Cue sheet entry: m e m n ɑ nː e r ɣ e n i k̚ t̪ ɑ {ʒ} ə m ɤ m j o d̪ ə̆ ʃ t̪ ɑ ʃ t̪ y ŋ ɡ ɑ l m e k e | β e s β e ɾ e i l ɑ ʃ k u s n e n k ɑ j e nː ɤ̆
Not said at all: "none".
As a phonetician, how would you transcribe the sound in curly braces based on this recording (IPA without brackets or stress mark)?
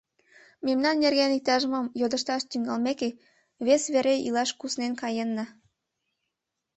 ʒ